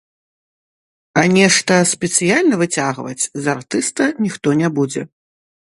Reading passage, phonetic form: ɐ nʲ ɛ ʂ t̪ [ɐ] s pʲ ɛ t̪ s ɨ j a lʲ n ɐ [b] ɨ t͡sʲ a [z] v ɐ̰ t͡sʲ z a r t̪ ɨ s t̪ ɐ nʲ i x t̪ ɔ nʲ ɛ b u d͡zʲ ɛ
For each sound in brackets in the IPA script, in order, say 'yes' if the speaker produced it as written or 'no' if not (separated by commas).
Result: yes, no, no